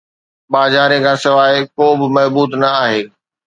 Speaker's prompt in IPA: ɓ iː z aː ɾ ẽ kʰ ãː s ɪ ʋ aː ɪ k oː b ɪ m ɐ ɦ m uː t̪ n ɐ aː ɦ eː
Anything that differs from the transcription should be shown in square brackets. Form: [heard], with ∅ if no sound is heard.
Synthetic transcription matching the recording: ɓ [aː] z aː ɾ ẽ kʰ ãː s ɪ ʋ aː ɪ k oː b ɪ m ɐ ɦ [b] uː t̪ n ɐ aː ɦ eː